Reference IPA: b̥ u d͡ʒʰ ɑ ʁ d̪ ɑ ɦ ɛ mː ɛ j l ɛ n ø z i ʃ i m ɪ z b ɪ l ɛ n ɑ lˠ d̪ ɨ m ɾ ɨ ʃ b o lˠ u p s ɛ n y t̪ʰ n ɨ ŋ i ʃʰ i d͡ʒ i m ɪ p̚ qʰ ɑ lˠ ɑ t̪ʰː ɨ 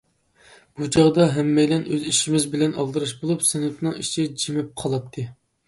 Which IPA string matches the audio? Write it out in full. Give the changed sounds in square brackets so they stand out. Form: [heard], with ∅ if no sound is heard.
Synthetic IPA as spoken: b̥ u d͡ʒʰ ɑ ʁ d̪ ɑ ɦ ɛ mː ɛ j l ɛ n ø z i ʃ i m ɪ z b ɪ l ɛ n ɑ lˠ d̪ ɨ [∅] ɾ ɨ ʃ b o lˠ u p s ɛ n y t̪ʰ n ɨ ŋ i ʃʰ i d͡ʒ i m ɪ p̚ qʰ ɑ lˠ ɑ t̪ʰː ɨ